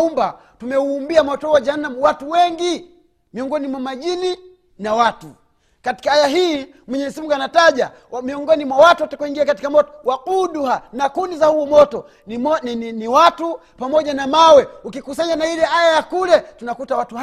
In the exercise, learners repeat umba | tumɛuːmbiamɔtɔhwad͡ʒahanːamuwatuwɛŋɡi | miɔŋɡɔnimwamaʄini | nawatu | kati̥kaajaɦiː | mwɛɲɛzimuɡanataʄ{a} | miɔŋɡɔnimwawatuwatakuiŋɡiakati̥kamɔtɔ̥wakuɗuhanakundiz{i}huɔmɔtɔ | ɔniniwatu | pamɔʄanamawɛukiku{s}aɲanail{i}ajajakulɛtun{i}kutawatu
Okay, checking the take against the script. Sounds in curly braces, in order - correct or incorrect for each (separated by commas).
correct, incorrect, correct, incorrect, incorrect